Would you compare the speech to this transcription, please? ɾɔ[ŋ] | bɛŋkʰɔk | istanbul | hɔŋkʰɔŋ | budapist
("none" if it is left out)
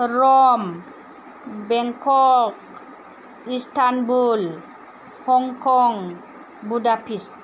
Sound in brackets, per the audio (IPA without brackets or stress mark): m